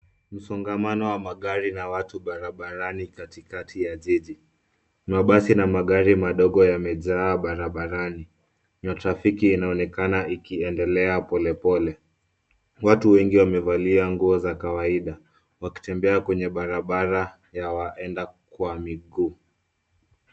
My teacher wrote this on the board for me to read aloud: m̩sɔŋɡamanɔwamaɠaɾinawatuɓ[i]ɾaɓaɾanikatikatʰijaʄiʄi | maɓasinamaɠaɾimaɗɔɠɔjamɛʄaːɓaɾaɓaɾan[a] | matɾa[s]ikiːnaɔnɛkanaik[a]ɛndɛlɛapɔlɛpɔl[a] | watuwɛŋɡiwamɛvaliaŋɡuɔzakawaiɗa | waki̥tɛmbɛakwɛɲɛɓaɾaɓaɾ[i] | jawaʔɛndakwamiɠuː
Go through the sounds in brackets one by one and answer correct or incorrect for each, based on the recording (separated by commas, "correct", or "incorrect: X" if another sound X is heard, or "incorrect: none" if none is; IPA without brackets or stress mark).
incorrect: a, incorrect: i, incorrect: f, incorrect: i, incorrect: ɛ, incorrect: a